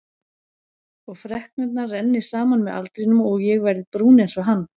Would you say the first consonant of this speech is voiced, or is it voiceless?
voiced